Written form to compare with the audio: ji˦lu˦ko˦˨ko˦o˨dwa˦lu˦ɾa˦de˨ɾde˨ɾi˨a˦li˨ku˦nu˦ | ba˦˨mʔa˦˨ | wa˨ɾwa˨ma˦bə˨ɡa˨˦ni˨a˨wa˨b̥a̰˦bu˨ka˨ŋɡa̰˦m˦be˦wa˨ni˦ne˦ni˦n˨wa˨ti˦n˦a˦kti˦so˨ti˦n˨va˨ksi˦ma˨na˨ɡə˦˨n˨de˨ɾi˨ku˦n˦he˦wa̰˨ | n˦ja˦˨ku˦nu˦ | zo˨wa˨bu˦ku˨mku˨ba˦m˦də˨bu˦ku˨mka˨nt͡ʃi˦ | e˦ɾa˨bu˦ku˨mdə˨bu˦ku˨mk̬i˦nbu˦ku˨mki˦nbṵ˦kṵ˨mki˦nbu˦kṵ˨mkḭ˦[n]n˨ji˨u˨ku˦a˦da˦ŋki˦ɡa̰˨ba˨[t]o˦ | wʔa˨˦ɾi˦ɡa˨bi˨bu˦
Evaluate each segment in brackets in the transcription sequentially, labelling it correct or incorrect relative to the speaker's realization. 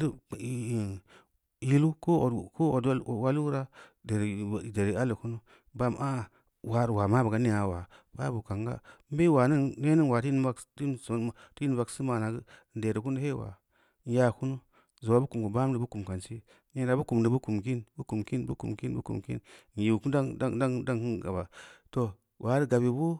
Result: correct, correct

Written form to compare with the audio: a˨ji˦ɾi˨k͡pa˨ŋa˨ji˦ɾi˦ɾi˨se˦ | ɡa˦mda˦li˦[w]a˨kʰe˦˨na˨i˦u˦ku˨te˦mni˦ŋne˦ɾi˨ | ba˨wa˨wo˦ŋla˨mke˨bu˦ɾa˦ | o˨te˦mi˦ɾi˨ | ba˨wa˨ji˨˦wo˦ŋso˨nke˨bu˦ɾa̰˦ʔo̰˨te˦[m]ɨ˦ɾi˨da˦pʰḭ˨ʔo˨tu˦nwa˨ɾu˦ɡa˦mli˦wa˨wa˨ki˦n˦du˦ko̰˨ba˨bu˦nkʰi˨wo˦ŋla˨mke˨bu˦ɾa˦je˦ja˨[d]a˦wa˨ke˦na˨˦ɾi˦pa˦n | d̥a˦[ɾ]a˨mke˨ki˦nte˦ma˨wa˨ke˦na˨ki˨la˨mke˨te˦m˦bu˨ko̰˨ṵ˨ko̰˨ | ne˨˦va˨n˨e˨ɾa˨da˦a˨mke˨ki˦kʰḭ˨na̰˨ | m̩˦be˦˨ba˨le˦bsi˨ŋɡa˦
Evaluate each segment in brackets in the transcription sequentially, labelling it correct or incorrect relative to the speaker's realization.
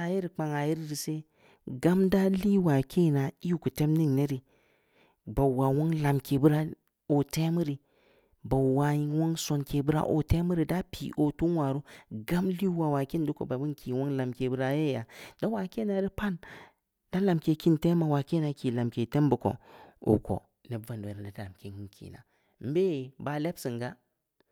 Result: correct, correct, correct, incorrect: l

